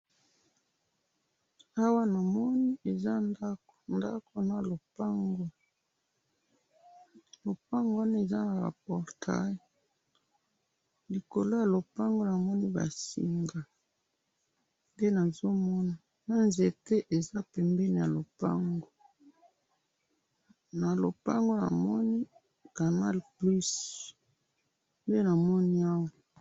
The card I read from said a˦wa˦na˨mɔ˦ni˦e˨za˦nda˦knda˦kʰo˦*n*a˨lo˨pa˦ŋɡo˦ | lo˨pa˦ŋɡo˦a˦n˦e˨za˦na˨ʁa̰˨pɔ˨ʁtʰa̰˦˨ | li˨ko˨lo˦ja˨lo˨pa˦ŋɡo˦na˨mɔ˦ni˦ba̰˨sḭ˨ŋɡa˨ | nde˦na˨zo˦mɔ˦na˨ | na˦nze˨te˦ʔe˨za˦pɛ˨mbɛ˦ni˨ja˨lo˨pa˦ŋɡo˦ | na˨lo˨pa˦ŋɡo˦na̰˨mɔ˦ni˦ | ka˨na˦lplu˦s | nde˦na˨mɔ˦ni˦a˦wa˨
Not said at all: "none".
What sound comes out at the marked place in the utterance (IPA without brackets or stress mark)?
n